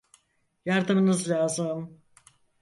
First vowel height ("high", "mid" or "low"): low